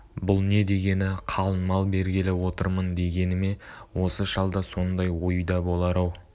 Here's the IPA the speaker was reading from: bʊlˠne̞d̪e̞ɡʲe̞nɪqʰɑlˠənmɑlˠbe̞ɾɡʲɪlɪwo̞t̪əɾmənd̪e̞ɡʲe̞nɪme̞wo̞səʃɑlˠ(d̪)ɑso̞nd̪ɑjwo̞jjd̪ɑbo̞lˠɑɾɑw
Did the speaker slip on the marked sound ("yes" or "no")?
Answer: no